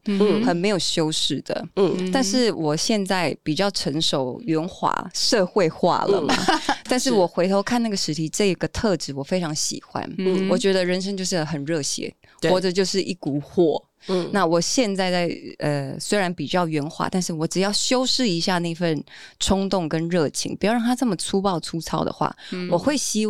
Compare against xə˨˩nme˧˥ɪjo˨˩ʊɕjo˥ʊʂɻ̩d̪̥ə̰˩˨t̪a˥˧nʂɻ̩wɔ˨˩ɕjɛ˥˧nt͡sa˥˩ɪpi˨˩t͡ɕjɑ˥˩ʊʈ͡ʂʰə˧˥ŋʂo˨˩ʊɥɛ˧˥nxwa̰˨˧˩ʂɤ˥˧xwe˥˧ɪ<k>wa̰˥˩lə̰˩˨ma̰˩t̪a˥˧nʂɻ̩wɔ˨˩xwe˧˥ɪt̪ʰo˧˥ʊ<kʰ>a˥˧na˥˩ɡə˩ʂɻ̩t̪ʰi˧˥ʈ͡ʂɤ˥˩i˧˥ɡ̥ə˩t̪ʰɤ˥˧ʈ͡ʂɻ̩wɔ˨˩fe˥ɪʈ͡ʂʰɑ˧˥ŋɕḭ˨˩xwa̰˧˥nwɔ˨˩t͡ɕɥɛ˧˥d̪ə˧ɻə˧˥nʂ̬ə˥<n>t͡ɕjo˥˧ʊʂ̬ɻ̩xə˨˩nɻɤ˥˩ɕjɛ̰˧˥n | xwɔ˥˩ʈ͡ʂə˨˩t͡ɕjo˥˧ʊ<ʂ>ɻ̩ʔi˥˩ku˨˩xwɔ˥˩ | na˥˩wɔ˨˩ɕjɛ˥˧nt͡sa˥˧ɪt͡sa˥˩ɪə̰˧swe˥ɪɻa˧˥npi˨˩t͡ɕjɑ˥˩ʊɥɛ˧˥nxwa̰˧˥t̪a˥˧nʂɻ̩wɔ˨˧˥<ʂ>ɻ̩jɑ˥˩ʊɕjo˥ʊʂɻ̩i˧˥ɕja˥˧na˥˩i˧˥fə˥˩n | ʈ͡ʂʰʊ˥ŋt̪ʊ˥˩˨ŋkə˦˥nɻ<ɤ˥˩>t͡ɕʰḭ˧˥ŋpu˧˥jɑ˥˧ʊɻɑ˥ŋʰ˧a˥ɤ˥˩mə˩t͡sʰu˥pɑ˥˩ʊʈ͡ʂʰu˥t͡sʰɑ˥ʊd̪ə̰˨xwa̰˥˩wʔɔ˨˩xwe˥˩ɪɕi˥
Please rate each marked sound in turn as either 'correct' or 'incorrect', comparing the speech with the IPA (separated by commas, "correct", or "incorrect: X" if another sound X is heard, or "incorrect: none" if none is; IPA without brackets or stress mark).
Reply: incorrect: x, correct, incorrect: ŋ, correct, incorrect: ʈ͡ʂ, correct